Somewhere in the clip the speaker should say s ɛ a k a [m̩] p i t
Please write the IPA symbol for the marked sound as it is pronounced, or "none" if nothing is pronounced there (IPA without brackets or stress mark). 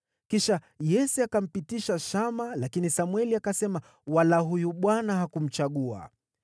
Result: m̩